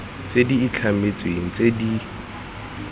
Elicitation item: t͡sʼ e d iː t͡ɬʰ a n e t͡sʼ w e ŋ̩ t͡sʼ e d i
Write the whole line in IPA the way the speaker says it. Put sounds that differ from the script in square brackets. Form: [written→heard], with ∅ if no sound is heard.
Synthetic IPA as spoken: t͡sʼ e d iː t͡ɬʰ a [n→m] e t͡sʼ w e ŋ̩ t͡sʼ e d i